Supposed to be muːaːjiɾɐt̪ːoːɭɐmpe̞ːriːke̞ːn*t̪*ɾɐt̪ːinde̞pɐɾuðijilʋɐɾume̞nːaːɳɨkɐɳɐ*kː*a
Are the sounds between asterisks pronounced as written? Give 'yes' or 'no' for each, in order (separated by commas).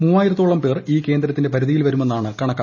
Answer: no, yes